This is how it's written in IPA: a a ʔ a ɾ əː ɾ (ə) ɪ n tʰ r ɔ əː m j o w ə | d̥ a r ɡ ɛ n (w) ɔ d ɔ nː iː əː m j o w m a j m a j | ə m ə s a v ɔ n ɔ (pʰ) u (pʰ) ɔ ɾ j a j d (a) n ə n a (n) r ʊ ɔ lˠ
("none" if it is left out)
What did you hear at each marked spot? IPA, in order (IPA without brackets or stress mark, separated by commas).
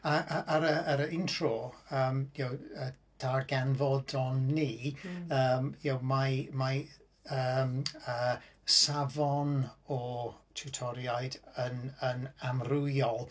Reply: ə, v, tʰ, tʰ, ə, m